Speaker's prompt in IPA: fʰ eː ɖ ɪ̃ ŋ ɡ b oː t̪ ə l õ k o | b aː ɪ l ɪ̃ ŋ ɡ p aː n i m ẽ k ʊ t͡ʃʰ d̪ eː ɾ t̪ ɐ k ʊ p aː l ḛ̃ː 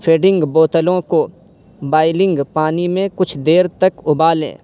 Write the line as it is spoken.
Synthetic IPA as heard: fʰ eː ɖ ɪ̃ ŋ ɡ b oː t̪ ə l õ k o | b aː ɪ l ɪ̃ ŋ ɡ p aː n i m ẽ k ʊ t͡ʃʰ d̪ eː ɾ t̪ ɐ k ʊ b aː l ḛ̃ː